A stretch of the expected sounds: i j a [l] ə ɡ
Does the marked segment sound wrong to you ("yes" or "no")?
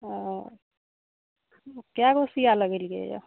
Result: no